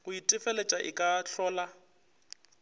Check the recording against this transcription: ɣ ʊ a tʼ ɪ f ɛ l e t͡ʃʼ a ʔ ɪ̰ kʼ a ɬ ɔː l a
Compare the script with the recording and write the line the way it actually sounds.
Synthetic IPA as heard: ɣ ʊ i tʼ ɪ f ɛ l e t͡ʃʼ a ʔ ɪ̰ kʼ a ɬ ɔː l a